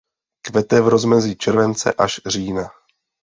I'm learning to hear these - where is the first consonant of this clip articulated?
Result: velum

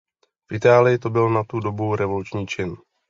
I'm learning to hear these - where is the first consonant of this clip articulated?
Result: lips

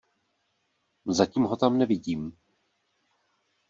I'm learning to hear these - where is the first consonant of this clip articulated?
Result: tongue tip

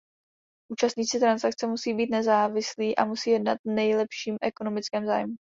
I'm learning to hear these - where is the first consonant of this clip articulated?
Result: throat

